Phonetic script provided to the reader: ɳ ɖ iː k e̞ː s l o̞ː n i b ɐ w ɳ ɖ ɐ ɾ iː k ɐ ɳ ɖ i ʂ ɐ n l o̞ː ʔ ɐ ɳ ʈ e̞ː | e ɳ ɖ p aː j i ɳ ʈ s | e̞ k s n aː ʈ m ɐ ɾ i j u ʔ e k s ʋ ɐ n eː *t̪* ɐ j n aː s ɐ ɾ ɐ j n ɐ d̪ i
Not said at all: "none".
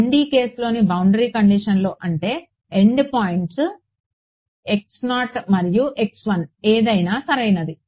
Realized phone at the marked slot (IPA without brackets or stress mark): d̪